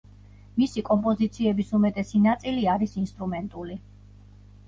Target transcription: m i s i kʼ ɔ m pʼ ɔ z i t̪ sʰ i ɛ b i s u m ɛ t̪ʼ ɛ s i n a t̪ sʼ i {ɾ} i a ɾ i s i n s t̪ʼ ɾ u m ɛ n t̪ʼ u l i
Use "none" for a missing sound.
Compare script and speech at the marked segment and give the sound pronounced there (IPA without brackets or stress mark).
l